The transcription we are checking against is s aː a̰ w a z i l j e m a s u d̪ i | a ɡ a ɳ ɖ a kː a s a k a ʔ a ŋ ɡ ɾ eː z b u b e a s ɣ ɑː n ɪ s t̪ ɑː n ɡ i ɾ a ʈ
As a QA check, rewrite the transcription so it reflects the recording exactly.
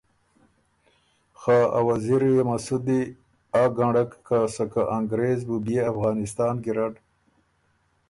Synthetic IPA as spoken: x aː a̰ w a z i ɾ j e m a s u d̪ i | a ɡ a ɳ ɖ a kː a s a k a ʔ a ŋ ɡ ɾ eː z b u b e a f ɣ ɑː n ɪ s t̪ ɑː n ɡ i ɾ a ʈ